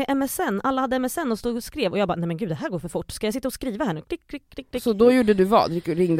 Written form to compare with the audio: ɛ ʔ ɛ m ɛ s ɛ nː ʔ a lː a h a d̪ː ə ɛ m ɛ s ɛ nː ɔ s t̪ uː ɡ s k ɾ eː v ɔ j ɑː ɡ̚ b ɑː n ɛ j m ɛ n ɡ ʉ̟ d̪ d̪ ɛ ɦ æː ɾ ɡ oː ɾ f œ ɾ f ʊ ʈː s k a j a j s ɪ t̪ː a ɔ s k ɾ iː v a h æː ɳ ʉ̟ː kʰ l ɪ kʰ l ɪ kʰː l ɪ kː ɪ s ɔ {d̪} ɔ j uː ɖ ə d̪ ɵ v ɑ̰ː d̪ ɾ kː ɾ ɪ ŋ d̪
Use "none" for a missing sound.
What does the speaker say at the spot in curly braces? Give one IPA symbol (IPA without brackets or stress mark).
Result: d̪